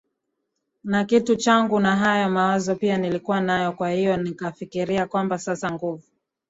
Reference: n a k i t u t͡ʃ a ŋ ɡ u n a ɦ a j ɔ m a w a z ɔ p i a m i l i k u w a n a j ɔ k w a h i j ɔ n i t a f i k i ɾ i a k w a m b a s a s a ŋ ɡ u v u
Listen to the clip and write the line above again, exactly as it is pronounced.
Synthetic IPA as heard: n a k i t u t͡ʃ a ŋ ɡ u n a ɦ a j ɔ m a w a z ɔ p i a n i l i k u w a n a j ɔ k w a h i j ɔ n i k a f i k i ɾ i a k w a m b a s a s a ŋ ɡ u v u